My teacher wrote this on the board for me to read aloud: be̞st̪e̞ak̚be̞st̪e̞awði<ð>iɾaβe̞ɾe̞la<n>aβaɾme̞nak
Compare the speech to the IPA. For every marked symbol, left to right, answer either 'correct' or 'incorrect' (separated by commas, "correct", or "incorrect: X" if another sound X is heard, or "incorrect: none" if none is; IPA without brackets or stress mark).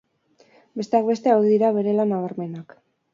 correct, correct